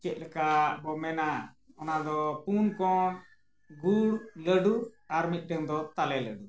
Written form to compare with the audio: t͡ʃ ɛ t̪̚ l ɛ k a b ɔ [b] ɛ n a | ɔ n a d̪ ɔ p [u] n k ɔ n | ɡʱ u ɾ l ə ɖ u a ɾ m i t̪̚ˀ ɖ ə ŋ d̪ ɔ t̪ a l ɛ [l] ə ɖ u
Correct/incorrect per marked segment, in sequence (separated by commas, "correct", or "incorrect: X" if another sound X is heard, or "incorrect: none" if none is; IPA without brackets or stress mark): incorrect: m, correct, correct